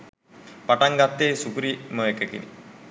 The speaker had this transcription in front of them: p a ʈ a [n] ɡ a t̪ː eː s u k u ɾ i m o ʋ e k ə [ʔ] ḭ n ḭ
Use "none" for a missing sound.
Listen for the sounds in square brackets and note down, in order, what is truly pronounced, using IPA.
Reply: ŋ, k

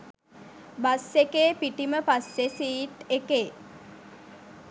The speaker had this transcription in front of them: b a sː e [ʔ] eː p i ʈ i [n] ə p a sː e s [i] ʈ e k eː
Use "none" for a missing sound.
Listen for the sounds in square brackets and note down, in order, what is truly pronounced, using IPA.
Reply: k, m, iː

